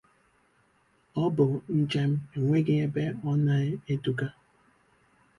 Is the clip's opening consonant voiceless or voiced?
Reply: voiced